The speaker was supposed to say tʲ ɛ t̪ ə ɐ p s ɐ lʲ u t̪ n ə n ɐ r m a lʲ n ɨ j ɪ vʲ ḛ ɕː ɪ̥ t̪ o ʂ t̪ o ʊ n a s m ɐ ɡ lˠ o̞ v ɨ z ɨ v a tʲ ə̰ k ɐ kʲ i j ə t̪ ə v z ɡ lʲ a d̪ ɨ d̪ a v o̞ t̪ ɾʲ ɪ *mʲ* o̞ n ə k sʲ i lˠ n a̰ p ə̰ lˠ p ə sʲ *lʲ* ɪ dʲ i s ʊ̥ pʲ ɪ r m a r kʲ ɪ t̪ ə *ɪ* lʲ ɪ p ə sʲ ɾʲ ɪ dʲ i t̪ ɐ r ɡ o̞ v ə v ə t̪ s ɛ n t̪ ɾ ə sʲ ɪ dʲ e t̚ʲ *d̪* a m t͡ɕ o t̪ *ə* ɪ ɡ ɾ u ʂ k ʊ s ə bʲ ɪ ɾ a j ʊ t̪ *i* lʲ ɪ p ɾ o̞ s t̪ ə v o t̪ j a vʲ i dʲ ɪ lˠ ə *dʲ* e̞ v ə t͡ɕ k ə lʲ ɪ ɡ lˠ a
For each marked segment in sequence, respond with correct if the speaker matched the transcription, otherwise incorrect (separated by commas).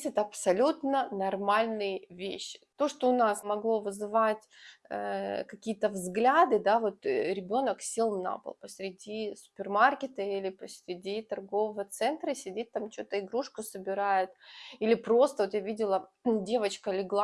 incorrect, incorrect, incorrect, incorrect, correct, correct, correct